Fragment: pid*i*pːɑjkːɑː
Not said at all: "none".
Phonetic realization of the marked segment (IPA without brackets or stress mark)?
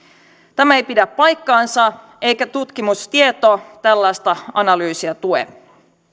æ